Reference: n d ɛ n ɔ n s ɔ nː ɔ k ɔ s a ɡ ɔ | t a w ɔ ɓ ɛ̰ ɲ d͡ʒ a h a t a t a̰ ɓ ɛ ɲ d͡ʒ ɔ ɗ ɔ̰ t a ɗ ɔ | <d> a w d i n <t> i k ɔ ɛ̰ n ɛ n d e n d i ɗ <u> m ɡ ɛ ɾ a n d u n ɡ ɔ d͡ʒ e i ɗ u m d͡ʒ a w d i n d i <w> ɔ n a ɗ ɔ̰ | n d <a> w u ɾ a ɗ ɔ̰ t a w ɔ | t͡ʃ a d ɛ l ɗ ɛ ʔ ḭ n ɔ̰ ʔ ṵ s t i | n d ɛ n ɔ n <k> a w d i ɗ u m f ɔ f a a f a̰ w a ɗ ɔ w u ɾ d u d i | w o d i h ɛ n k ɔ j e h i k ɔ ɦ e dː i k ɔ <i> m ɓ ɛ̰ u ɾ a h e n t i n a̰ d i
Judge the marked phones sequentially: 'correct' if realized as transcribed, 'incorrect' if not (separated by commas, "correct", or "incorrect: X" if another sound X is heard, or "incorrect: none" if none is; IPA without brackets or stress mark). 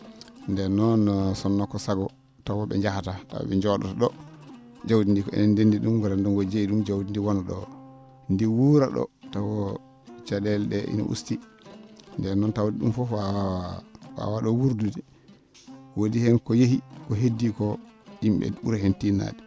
incorrect: d͡ʒ, incorrect: d, correct, correct, incorrect: i, incorrect: t, correct